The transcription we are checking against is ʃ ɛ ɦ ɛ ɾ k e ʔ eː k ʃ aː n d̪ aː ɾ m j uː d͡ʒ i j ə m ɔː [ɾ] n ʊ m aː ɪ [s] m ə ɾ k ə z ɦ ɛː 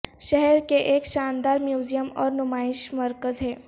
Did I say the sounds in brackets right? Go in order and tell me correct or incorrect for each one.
correct, incorrect

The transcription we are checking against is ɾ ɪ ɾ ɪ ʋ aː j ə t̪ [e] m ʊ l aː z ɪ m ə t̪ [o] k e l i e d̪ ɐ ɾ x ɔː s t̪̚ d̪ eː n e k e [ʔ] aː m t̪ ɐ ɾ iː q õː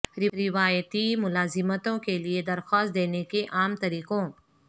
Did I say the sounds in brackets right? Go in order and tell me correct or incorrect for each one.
incorrect, incorrect, correct

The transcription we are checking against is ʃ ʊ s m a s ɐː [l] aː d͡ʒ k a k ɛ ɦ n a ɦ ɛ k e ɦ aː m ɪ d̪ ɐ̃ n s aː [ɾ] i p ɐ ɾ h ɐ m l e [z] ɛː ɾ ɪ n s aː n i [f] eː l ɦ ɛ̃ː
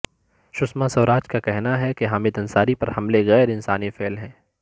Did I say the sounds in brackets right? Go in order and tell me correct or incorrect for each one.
incorrect, correct, incorrect, correct

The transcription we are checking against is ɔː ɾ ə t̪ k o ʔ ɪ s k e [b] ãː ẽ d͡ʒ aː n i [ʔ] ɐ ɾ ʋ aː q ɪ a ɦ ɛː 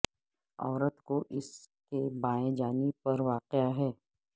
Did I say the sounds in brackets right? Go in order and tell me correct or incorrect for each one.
correct, incorrect

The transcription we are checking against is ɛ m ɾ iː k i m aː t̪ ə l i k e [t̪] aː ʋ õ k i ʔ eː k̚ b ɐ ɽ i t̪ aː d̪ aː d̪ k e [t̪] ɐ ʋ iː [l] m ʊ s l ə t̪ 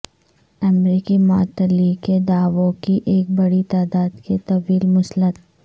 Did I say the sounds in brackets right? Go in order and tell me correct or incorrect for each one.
incorrect, correct, correct

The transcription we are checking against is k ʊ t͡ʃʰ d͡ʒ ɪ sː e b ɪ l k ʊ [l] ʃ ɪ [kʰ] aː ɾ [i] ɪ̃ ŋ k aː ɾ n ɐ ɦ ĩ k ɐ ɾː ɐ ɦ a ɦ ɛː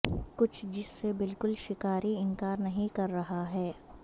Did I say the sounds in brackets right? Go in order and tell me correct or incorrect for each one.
correct, incorrect, correct

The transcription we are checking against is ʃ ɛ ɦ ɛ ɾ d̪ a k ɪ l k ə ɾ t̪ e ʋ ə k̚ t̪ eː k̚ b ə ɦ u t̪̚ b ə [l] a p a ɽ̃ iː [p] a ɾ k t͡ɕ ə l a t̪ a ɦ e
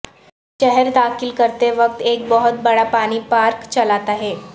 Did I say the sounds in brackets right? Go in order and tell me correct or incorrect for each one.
incorrect, correct

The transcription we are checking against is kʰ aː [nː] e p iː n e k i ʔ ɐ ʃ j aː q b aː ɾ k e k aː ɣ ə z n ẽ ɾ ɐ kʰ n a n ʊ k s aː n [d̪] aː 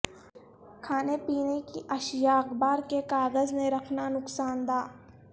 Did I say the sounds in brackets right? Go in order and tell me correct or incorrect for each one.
incorrect, correct

